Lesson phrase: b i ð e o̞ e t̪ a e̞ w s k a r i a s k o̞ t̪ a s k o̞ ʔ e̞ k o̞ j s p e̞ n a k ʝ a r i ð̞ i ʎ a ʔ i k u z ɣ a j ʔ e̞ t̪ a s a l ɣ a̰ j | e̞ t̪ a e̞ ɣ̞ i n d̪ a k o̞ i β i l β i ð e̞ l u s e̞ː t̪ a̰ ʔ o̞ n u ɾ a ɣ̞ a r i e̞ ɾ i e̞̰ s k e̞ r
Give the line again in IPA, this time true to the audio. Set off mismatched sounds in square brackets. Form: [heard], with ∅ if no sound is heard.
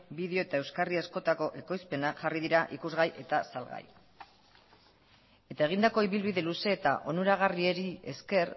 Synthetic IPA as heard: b i ð e o̞ e t̪ a e̞ w s k a r i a s k o̞ t̪ a [∅] k o̞ ʔ e̞ k o̞ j s p e̞ n a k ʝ a r i ð̞ i [ɾ] a ʔ i k u z ɣ a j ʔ e̞ t̪ a s a l ɣ a̰ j | e̞ t̪ a e̞ ɣ̞ i n d̪ a k o̞ i β i l β i ð e̞ l u s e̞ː t̪ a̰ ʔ o̞ n u ɾ a ɣ̞ a r i e̞ ɾ i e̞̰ s k e̞ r